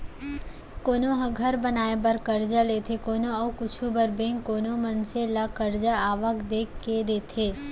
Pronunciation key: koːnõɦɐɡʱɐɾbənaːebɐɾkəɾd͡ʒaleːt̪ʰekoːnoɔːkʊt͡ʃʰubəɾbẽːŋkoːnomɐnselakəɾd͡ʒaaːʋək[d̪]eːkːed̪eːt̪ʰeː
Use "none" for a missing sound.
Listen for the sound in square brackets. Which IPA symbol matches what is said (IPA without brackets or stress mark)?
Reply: d̪